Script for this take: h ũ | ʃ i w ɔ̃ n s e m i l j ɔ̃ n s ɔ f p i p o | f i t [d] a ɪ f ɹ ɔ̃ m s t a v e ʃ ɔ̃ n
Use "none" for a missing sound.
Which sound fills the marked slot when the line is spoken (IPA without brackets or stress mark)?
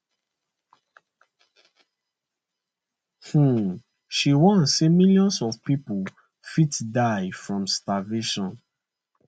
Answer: d